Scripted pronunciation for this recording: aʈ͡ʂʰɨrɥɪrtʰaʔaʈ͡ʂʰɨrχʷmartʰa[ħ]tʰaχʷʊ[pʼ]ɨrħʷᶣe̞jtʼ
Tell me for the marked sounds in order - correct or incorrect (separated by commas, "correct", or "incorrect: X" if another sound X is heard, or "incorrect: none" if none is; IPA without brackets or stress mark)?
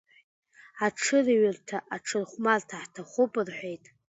correct, correct